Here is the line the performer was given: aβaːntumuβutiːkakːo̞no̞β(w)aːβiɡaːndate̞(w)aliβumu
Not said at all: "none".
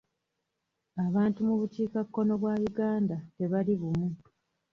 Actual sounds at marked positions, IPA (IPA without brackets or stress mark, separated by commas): w, β